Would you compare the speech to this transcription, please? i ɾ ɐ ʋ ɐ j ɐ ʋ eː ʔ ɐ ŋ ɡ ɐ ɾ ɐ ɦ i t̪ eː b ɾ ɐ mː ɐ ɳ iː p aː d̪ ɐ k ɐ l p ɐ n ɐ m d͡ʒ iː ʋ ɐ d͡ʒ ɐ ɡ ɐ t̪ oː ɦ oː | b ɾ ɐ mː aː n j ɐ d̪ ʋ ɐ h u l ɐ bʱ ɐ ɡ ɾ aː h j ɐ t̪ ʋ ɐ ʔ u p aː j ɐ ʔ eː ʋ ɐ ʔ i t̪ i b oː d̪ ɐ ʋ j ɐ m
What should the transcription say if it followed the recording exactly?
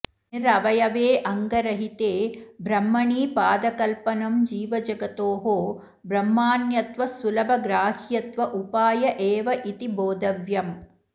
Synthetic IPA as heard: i ɾ ɐ ʋ ɐ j ɐ ʋ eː ʔ ɐ ŋ ɡ ɐ ɾ ɐ ɦ i t̪ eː b ɾ ɐ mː ɐ ɳ iː p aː d̪ ɐ k ɐ l p ɐ n ɐ m d͡ʒ iː ʋ ɐ d͡ʒ ɐ ɡ ɐ t̪ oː ɦ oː | b ɾ ɐ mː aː n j ɐ t̪ ʋ ɐ s u l ɐ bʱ ɐ ɡ ɾ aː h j ɐ t̪ ʋ ɐ ʔ u p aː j ɐ ʔ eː ʋ ɐ ʔ i t̪ i b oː d̪ ɐ ʋ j ɐ m